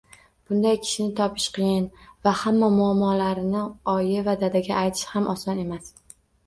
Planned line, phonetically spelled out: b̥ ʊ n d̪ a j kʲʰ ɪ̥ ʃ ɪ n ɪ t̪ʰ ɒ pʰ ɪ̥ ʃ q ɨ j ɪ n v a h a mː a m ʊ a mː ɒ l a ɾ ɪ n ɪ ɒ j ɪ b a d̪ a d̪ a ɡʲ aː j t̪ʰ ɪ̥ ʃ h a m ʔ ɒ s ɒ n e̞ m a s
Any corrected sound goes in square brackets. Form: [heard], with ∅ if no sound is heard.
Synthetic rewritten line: b̥ ʊ n d̪ a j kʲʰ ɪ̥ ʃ ɪ n ɪ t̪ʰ ɒ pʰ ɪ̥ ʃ q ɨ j ɪ n v a h a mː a m ʊ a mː ɒ l a ɾ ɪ n ɪ ɒ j ɪ [v] a d̪ a d̪ a ɡʲ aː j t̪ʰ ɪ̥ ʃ h a m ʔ ɒ s ɒ n e̞ m a s